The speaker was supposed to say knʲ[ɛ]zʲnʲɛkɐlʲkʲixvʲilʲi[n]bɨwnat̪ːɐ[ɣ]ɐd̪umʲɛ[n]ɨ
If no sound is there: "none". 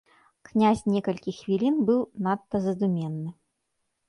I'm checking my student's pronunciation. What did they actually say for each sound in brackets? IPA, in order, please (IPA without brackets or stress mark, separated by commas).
a, n, z, nː